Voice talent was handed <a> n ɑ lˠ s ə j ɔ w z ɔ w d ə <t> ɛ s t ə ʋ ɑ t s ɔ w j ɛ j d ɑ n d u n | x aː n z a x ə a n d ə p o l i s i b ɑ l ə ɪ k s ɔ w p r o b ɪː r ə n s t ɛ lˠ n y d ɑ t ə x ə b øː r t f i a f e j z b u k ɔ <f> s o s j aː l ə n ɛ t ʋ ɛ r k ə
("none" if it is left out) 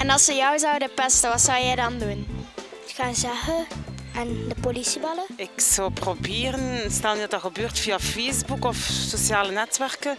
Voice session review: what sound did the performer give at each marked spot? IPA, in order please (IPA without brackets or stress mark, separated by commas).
ɛ, p, f